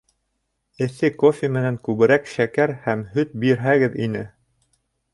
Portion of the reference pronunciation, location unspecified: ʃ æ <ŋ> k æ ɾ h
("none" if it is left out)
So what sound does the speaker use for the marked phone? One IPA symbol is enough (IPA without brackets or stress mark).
none